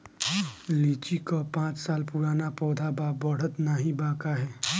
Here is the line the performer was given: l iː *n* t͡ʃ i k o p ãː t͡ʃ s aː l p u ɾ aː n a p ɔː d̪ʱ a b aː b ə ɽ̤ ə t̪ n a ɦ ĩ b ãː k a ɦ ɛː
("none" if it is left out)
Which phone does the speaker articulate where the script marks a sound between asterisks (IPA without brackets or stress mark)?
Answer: none